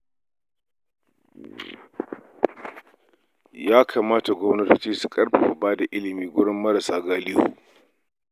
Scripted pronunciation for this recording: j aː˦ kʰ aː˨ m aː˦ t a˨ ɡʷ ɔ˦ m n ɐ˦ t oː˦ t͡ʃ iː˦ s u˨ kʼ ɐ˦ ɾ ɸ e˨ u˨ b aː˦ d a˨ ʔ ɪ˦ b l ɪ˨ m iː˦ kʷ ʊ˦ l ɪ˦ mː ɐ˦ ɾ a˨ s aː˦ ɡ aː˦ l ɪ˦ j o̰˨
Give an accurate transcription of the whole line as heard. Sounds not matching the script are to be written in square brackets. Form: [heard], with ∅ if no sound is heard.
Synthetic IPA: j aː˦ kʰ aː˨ m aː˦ t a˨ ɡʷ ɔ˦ m n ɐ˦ t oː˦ t͡ʃ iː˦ s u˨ kʼ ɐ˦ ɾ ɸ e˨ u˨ b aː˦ d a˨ ʔ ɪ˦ [∅] l ɪ˨ m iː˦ [ɡʷ] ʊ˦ [ɽ] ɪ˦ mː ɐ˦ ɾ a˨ s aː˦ ɡ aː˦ l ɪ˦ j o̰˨